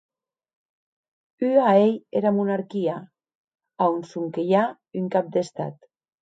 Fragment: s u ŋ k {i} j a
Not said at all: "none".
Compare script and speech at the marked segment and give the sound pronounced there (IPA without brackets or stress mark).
e